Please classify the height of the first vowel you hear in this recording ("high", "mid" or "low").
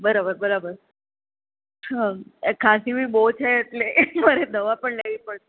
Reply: mid